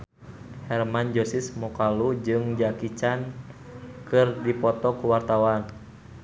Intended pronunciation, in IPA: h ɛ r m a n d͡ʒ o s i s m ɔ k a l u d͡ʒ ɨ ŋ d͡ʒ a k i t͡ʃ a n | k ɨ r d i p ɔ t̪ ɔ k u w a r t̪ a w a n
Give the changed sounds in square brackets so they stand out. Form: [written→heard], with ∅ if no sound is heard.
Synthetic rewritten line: h ɛ r m a n d͡ʒ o s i s m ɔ k a l u d͡ʒ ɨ ŋ d͡ʒ a k i t͡ʃ a n | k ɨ r d i p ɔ t̪ ɔ k u w a r t̪ a w a n